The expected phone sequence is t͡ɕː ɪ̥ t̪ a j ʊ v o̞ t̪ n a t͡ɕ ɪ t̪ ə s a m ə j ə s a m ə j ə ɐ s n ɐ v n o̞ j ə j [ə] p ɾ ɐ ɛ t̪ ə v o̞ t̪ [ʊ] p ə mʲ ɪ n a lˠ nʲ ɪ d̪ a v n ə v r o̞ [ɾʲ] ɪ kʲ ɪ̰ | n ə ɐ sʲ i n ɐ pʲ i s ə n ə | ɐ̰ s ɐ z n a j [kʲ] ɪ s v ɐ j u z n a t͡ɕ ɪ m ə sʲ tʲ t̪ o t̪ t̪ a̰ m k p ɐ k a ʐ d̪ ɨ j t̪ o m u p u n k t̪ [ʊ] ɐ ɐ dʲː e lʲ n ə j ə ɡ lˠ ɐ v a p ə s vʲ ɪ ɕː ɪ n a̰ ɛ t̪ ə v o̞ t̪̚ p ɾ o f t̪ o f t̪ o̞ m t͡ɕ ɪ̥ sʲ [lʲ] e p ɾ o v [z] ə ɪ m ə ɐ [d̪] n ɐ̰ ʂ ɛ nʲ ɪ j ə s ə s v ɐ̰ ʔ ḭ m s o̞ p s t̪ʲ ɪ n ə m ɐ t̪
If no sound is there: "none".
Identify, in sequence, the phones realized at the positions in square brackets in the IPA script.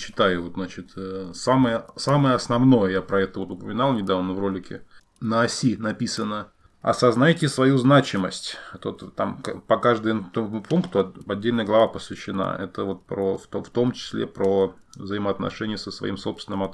a, ʊ, lʲ, tʲ, ʊ, lʲ, z, t̪

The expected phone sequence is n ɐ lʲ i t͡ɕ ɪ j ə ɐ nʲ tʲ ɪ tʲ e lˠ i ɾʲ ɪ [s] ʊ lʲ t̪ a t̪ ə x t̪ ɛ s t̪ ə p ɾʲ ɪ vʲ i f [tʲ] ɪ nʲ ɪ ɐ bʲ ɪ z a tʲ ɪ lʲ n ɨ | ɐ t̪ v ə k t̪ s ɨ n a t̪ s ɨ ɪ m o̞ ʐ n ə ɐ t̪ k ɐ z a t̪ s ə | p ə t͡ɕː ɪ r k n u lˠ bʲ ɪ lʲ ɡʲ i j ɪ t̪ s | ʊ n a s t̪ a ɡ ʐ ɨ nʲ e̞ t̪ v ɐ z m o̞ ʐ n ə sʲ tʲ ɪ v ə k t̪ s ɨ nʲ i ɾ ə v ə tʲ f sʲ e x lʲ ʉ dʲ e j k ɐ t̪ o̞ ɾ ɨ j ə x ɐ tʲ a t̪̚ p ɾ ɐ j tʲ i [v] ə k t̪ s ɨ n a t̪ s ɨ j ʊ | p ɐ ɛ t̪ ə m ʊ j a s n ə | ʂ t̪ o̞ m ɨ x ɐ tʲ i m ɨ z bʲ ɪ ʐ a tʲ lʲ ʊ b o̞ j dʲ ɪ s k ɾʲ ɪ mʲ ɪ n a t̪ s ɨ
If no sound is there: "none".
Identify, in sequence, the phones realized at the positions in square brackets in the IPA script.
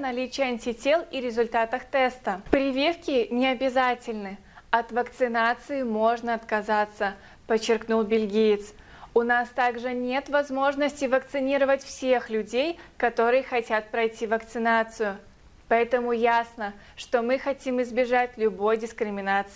z, kʲ, v

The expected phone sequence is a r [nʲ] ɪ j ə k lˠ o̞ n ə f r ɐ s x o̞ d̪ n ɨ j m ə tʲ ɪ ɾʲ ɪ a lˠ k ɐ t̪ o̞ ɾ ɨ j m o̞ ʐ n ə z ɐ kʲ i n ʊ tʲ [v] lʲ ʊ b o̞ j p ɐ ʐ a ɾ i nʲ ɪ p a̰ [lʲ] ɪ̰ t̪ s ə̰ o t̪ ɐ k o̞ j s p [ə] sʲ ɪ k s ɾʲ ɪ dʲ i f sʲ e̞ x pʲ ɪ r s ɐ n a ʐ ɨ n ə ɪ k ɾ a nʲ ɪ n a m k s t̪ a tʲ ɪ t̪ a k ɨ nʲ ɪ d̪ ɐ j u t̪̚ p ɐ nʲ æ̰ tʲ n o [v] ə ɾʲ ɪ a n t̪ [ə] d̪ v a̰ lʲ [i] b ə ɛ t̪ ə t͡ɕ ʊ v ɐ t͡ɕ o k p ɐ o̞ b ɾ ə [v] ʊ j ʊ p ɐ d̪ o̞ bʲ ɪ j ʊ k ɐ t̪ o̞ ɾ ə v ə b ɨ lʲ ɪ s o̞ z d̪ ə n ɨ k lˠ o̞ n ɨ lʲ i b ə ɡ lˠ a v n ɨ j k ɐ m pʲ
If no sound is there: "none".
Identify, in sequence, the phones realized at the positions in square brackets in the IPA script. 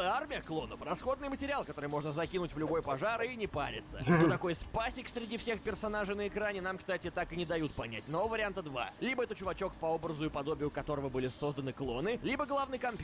mʲ, v, ɾʲ, a, v, ə, i, z

